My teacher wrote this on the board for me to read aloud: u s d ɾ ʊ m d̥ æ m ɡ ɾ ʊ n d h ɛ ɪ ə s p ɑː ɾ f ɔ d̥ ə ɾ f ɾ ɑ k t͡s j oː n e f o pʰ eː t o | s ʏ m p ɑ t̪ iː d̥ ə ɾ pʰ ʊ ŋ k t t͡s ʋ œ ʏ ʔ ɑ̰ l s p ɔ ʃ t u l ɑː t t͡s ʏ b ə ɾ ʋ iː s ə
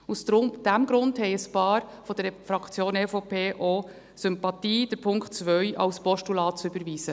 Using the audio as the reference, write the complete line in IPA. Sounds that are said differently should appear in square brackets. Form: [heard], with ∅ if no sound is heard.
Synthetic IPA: u s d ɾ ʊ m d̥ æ m ɡ ɾ ʊ n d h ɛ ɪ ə s p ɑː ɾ f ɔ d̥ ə ɾ f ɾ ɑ k t͡s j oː n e f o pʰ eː [ʔ] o | s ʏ m p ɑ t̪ iː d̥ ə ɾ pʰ ʊ ŋ k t t͡s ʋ œ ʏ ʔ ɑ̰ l s p ɔ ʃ t u l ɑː t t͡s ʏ b ə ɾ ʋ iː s ə